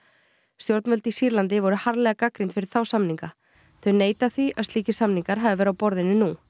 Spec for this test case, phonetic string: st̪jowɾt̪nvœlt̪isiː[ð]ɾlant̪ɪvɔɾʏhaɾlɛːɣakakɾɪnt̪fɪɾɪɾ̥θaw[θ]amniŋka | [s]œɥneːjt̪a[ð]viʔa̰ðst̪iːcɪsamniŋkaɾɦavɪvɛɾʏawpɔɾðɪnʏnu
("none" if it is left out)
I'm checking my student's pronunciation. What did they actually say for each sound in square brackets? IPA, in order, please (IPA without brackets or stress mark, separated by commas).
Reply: none, s, θ, θ